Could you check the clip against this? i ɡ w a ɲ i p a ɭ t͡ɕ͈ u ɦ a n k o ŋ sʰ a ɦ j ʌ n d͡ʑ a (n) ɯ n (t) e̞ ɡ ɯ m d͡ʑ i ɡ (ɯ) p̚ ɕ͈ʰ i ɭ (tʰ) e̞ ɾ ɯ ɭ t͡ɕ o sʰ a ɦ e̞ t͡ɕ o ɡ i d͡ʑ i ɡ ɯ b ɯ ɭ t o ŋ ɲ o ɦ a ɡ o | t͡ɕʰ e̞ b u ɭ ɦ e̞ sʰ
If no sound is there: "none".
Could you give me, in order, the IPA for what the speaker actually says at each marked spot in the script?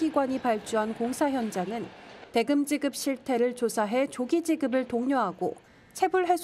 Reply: ŋ, t, ɯ, tʰ

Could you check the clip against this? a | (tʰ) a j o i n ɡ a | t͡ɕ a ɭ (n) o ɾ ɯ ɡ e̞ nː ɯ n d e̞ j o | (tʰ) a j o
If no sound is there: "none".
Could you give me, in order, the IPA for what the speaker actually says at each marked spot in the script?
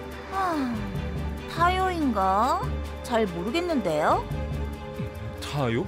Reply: tʰ, m, tʰ

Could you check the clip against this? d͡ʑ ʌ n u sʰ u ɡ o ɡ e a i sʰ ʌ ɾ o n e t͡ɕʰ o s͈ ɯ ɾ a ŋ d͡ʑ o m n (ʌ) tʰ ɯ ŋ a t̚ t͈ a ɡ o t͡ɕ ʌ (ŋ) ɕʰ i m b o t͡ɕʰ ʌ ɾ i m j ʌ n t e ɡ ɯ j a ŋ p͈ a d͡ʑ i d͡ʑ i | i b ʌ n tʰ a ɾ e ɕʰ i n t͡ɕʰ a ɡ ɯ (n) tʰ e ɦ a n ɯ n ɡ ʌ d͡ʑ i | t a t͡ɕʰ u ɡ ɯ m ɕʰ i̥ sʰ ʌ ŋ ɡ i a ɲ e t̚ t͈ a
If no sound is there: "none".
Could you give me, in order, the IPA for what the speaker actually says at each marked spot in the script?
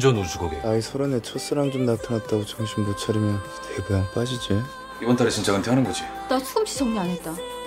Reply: a, ŋ, n

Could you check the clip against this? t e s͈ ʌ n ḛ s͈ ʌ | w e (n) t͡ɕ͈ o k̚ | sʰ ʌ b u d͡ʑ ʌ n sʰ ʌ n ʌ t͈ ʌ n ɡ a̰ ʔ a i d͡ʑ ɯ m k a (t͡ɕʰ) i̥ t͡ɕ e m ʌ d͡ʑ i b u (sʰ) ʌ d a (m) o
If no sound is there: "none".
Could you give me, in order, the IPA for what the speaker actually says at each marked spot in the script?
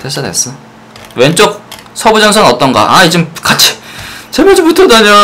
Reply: n, t͡ɕʰ, tʰ, ɲ

